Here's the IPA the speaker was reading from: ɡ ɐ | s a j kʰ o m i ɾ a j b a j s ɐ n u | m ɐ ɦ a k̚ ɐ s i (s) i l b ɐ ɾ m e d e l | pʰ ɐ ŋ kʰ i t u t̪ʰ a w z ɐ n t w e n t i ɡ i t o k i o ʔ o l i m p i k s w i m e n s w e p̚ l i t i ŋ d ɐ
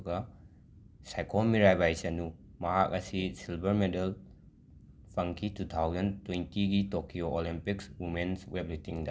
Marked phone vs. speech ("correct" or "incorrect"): correct